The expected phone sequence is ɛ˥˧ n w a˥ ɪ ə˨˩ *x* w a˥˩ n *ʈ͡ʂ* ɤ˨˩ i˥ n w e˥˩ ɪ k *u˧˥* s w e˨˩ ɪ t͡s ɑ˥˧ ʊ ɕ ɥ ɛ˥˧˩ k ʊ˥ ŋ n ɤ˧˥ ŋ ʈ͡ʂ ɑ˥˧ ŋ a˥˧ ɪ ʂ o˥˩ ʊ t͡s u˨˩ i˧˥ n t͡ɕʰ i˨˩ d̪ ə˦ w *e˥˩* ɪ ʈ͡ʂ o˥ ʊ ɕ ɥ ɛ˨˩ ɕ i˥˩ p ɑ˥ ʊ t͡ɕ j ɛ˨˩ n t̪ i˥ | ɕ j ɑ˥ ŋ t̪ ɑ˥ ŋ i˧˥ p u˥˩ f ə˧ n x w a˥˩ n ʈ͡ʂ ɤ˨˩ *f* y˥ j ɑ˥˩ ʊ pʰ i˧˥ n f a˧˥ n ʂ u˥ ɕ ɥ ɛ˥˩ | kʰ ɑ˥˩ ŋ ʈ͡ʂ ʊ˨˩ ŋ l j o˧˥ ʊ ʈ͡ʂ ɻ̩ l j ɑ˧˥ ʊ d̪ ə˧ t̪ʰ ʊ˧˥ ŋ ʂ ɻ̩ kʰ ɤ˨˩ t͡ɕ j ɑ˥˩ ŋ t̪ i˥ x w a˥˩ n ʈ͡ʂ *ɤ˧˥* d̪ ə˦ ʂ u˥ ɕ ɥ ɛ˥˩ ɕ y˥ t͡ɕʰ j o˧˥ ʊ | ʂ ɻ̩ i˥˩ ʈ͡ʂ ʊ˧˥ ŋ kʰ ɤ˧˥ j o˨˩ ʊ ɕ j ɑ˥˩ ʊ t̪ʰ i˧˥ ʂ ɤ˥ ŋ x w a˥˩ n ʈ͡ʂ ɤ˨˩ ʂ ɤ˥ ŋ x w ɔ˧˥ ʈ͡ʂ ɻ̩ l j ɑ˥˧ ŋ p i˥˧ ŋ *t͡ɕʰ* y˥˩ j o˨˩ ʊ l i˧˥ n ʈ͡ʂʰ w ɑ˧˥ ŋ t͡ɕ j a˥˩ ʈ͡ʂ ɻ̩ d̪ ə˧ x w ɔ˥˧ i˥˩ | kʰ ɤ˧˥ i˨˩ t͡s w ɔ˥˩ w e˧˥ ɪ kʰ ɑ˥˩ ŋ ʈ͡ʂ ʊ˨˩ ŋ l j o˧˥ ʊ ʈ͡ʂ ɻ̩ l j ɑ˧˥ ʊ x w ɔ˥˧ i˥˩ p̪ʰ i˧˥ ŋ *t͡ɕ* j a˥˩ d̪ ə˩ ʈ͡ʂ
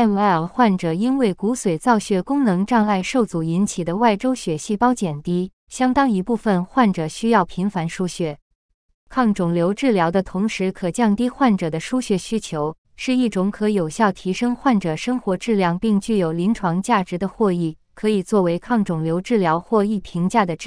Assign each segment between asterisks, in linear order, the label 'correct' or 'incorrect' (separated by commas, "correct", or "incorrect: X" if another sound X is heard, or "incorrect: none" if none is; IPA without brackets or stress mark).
correct, correct, correct, incorrect: a˥˩, incorrect: ɕ, incorrect: ɤ˨˩, incorrect: t͡ɕ, correct